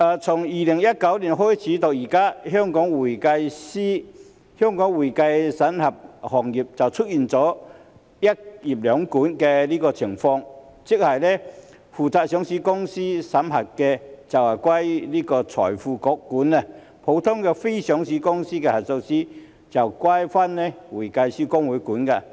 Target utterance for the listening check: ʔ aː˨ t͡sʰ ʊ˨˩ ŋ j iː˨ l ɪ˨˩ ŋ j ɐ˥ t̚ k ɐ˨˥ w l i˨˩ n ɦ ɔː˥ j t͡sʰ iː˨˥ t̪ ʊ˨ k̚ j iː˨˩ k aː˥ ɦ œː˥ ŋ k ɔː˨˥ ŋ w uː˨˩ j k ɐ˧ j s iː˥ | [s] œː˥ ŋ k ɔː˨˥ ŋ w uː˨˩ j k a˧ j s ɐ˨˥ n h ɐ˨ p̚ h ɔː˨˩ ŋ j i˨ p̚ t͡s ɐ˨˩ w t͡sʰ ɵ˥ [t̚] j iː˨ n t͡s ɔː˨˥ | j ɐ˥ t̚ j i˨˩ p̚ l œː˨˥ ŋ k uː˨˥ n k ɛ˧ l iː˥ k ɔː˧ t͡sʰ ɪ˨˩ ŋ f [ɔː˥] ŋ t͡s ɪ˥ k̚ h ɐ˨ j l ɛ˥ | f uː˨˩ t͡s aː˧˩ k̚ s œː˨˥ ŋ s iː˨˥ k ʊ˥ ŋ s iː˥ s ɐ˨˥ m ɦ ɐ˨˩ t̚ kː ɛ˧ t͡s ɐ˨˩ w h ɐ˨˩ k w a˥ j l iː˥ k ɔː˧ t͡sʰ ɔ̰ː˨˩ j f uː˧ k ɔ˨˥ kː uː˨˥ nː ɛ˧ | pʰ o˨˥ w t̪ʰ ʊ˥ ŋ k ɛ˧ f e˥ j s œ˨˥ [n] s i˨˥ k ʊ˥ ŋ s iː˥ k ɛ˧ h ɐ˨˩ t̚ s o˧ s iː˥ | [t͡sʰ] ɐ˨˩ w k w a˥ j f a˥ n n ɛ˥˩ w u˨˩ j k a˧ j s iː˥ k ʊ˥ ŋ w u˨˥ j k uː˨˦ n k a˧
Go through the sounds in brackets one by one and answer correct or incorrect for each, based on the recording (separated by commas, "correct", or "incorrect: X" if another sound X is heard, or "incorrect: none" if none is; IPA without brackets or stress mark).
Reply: incorrect: h, correct, incorrect: ɔː˧, incorrect: ŋ, incorrect: t͡s